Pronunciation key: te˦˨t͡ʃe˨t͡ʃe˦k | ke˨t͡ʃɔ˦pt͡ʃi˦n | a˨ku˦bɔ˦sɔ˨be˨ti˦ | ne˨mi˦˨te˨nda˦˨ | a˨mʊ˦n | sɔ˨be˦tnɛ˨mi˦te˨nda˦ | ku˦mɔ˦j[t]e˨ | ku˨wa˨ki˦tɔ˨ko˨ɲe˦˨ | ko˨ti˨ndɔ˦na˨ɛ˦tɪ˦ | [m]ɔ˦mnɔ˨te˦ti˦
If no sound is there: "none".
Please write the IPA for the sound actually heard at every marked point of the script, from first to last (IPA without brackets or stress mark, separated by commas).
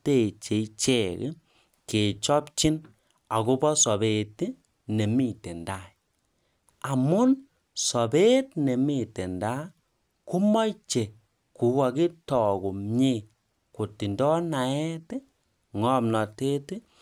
t͡ʃ, ŋ